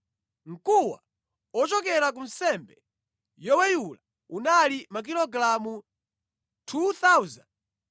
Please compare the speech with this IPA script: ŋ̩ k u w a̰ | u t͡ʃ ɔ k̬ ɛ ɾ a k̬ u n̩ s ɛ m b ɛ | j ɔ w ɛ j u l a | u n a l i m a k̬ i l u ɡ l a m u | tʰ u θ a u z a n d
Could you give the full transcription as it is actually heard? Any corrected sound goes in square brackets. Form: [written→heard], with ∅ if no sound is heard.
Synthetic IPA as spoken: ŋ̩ k u w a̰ | [u→ɔ] t͡ʃ ɔ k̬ ɛ ɾ a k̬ u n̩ s ɛ m b ɛ | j ɔ w ɛ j u l a | u n a l i m a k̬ i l [u→ɔ] ɡ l a m u | tʰ u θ a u z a n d